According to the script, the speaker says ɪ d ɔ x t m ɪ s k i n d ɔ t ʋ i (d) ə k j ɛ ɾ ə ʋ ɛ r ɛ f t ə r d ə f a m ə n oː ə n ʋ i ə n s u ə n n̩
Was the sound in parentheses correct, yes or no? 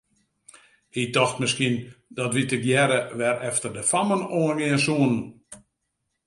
no